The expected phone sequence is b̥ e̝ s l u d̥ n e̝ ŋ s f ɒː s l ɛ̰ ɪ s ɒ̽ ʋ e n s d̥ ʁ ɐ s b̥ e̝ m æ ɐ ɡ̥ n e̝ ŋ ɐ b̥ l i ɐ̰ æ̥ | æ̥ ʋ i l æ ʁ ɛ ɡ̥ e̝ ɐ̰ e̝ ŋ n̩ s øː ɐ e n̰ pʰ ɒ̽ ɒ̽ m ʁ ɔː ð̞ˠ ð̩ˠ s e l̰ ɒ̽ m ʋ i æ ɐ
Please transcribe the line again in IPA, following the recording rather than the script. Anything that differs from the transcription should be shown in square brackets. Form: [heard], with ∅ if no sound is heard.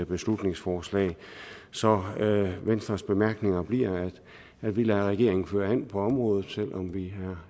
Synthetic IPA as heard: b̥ e̝ s l u d̥ n e̝ ŋ s f ɒː s l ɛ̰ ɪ s ɒ̽ ʋ e n s d̥ ʁ ɐ s b̥ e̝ m æ ɐ ɡ̥ n e̝ ŋ ɐ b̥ l i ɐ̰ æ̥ | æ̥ ʋ i l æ ʁ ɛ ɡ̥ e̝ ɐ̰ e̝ ŋ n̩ [f] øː ɐ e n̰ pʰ ɒ̽ ɒ̽ m ʁ ɔː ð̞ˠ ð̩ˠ s e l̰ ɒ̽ m ʋ i æ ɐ